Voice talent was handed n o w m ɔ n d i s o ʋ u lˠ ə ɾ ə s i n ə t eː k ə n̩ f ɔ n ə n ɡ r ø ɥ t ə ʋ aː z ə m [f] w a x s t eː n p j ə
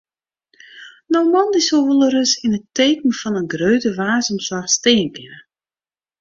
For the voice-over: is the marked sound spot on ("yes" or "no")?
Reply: no